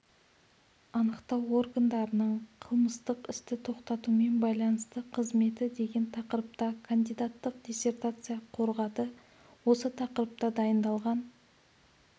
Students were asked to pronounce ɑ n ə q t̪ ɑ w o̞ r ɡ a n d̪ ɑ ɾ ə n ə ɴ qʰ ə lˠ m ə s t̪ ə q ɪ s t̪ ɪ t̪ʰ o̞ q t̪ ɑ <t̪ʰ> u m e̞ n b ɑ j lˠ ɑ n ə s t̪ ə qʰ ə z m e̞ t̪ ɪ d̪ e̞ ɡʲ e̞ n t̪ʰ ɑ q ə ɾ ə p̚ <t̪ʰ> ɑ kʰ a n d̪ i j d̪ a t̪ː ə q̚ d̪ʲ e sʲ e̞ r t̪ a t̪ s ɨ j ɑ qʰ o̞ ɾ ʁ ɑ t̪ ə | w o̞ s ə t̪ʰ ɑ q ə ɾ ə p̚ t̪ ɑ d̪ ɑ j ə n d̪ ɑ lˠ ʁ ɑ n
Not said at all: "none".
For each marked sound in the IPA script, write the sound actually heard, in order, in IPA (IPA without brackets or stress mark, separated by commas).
t̪, t̪